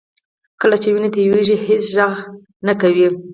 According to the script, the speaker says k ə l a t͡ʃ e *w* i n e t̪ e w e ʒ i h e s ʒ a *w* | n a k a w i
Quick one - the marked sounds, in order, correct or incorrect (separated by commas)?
correct, incorrect